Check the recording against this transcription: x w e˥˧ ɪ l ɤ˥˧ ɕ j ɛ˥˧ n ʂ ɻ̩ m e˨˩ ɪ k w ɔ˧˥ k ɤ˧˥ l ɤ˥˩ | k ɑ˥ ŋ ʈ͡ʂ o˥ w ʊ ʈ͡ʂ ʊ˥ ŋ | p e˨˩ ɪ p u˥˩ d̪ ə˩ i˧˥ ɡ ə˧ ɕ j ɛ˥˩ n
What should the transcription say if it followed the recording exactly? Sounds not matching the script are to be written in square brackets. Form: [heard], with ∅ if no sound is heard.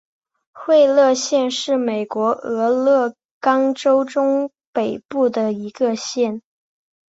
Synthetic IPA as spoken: x w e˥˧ ɪ l ɤ˥˧ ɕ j ɛ˥˧ n ʂ ɻ̩ m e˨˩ ɪ k w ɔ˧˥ [∅] ɤ˧˥ l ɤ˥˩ | k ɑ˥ ŋ ʈ͡ʂ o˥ [∅] ʊ ʈ͡ʂ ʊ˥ ŋ | p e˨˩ ɪ p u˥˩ d̪ ə˩ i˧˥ ɡ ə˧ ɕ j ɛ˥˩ n